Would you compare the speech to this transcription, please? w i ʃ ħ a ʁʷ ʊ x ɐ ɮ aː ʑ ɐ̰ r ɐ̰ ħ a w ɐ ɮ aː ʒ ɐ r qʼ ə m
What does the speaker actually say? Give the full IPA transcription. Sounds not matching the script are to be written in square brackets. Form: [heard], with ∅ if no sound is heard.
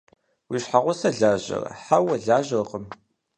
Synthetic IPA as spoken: w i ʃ ħ a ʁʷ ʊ [s] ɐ ɮ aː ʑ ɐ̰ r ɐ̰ ħ a w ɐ ɮ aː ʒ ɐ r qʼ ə m